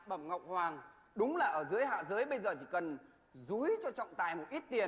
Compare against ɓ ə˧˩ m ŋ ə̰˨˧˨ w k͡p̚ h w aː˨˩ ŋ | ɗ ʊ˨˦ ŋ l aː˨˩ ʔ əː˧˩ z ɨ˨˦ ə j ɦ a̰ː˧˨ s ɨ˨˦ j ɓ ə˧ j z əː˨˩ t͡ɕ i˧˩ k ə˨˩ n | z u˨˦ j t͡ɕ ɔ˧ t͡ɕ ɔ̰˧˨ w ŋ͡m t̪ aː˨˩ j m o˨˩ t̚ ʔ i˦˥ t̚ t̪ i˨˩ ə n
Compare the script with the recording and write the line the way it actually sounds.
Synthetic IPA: ɓ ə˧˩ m ŋ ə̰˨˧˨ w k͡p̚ h w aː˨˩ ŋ | ɗ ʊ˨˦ ŋ͡m l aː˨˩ ʔ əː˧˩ z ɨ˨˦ ə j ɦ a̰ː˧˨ z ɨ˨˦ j ɓ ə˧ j z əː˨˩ t͡ɕ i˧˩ k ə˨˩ n | z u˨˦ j t͡ɕ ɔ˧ t͡ɕ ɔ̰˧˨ w ŋ͡m t̪ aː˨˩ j m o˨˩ t̚ ʔ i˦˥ t̚ t̪ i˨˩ ə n